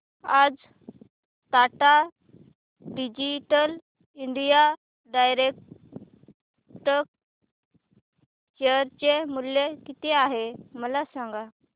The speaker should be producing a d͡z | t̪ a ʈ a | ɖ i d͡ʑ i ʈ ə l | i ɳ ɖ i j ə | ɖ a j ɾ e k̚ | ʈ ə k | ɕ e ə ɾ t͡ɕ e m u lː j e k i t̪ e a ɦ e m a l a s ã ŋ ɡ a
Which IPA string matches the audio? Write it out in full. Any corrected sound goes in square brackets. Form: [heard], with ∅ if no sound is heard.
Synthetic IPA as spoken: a d͡z | t̪ a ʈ a | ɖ i d͡ʑ i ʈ ə l | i ɳ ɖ i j [a] | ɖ a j ɾ e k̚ | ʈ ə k | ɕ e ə ɾ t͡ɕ e m u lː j e k i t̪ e a ɦ e m [ə] l a s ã ŋ ɡ a